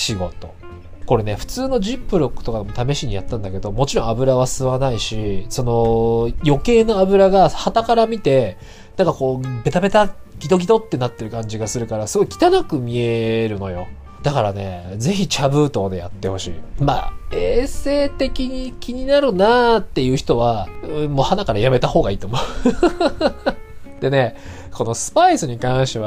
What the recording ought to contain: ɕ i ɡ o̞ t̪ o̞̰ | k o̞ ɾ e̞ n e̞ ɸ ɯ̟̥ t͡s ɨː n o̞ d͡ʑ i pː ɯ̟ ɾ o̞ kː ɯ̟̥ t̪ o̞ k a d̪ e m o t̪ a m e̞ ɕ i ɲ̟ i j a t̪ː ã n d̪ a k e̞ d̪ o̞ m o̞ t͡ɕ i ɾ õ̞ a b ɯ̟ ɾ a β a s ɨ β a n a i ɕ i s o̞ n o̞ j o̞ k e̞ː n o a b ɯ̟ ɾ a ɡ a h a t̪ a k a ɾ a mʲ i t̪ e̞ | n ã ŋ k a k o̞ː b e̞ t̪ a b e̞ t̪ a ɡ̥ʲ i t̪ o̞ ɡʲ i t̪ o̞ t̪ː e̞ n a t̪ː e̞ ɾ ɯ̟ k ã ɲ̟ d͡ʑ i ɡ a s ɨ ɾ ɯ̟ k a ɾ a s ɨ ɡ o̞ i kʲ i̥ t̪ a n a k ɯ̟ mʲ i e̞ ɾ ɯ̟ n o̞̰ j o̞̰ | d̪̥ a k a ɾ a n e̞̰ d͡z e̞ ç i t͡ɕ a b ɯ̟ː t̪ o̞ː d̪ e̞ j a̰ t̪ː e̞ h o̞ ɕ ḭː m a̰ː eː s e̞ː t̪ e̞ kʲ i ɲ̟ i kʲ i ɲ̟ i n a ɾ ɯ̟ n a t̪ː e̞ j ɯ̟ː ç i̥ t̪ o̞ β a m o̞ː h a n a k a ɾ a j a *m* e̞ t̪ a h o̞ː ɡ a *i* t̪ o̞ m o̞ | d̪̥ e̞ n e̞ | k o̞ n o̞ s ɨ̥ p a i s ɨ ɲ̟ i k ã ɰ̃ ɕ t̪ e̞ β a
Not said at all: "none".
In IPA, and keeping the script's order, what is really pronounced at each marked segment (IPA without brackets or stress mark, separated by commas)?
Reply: m, iː